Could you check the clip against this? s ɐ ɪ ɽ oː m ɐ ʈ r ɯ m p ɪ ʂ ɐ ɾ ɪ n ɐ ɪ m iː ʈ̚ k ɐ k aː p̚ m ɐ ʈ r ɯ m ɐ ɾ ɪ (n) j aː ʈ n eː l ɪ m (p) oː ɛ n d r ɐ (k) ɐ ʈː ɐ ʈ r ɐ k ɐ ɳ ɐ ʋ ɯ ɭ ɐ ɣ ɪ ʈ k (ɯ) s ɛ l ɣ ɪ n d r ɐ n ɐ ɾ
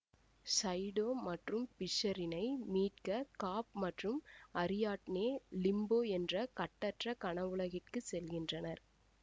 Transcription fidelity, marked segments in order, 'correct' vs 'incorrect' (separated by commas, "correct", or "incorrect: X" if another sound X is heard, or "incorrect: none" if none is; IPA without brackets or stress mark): incorrect: none, incorrect: b, correct, correct